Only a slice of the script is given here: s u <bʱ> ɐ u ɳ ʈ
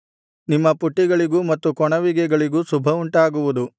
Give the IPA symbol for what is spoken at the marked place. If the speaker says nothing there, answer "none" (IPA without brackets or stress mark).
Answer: bʱ